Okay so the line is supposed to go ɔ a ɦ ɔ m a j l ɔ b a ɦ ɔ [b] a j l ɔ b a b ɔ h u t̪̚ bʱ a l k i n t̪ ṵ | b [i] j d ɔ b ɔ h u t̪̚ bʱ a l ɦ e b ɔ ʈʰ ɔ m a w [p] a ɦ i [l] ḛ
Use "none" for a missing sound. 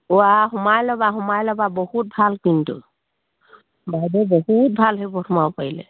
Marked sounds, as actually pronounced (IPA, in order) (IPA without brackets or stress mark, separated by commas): m, a, p, l